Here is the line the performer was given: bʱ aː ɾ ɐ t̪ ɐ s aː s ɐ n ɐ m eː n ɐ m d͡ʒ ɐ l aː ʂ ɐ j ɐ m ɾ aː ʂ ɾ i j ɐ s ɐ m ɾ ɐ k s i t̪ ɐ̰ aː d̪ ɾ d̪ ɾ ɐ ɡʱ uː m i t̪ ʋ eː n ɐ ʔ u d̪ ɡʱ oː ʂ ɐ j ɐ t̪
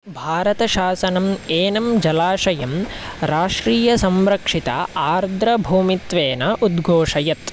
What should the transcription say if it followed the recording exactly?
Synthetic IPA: bʱ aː ɾ ɐ t̪ ɐ ʃ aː s ɐ n ɐ m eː n ɐ m d͡ʒ ɐ l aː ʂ ɐ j ɐ m ɾ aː ʂ ɾ iː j ɐ s ɐ m ɾ ɐ k ʂ i t̪ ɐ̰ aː ɾ d̪ ɾ ɐ bʱ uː m i t̪ ʋ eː n ɐ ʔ u d̪ ɡʱ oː ʂ ɐ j ɐ t̪